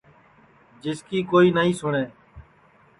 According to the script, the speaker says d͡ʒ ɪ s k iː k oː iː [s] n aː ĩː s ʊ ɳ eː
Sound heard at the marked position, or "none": none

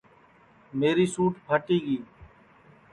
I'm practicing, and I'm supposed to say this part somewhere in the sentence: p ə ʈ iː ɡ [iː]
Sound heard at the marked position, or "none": iː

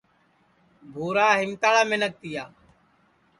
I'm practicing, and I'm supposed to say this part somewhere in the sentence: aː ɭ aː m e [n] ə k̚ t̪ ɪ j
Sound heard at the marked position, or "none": n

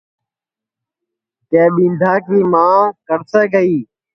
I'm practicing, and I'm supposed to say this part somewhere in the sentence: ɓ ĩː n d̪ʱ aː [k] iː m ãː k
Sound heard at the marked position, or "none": k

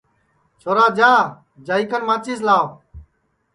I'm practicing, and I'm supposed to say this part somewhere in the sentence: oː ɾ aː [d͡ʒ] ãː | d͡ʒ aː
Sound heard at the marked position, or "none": d͡ʒ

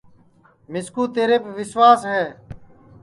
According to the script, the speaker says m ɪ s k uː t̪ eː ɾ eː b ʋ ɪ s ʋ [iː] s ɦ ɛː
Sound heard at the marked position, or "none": aː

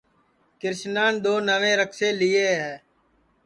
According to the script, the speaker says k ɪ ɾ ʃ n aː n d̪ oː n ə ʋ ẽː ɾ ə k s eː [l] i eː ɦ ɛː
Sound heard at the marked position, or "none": l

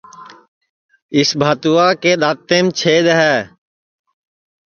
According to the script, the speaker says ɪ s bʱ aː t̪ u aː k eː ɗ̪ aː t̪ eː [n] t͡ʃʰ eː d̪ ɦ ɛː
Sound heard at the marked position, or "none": m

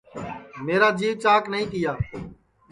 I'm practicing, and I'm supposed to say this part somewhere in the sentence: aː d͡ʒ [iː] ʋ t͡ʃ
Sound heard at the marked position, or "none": iː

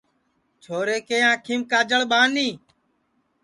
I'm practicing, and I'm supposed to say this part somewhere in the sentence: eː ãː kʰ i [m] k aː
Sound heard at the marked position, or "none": m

